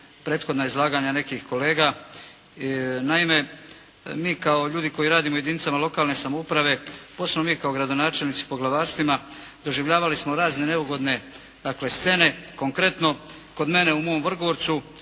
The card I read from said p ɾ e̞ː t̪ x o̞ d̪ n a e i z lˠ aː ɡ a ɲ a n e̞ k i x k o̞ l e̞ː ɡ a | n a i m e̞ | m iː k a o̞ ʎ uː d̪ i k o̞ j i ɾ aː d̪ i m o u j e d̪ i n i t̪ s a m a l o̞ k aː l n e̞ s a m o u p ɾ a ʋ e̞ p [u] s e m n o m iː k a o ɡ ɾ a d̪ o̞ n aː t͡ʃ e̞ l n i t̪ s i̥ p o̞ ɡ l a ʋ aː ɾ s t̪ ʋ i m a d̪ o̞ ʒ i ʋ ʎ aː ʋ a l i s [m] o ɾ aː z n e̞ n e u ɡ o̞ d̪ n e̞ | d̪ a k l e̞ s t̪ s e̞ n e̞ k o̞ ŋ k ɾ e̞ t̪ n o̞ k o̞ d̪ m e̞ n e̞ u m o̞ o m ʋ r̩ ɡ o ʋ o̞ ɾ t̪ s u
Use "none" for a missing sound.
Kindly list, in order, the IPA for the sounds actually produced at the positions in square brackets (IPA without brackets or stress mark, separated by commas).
o, m